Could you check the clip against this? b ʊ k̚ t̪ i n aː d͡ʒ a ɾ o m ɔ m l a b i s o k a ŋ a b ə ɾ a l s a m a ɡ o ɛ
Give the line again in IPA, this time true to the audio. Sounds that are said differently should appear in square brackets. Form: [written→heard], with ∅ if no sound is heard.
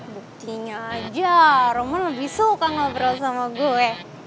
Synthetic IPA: b [ʊ→u] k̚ t̪ i [n→ɲ] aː d͡ʒ a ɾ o m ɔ [m→n] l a b i s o k a ŋ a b ə ɾ a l s a m a ɡ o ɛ